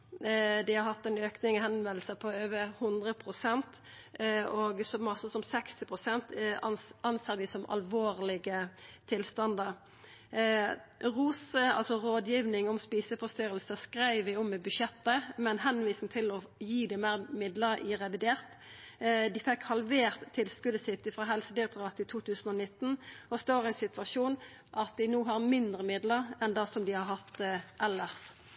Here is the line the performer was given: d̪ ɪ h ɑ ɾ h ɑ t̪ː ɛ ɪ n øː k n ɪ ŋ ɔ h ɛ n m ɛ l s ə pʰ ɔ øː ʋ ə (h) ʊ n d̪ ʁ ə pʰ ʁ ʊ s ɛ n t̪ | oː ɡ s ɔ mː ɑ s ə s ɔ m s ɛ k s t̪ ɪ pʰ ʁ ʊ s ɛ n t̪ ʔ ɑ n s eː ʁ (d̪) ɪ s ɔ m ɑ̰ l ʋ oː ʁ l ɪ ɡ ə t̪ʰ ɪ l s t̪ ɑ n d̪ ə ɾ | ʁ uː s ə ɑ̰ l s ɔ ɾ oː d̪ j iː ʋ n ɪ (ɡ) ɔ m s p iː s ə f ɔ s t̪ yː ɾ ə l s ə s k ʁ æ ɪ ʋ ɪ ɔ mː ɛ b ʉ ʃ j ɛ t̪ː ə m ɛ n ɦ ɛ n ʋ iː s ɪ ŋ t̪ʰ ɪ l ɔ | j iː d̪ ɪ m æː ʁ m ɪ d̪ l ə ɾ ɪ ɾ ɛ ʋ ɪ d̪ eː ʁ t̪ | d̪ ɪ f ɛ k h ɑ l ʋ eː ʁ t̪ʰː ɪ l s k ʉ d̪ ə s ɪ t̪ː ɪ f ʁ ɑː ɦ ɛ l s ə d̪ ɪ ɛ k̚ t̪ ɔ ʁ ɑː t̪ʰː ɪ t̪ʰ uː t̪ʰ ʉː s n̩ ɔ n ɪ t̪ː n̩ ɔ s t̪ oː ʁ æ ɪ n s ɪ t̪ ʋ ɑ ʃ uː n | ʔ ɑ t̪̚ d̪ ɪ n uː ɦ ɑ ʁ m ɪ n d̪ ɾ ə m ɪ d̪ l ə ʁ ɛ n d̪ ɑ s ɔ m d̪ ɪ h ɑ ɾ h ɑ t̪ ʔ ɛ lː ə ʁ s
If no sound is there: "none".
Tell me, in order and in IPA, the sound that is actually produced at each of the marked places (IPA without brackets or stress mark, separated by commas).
h, d̪, ŋ